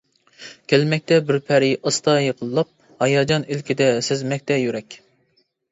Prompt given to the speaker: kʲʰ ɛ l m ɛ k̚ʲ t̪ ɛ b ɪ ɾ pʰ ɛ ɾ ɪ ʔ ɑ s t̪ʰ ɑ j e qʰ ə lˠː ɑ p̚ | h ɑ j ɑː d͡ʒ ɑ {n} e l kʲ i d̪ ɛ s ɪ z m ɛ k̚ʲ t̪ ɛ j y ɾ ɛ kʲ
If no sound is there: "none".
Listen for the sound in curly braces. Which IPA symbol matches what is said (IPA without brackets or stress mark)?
n